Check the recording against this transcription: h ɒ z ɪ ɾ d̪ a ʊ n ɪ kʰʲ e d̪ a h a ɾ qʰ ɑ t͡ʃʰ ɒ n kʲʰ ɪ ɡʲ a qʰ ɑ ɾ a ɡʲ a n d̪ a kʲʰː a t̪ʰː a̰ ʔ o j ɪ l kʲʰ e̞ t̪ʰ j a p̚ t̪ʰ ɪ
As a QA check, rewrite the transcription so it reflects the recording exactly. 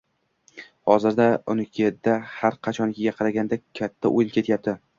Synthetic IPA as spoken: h ɒ z ɪ ɾ d̪ a ʊ n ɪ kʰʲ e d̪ a h a ɾ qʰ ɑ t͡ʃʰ ɒ n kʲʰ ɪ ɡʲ a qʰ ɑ ɾ a ɡʲ a n d̪ a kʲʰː a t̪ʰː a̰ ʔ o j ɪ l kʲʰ e̞ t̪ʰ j a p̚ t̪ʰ ɪ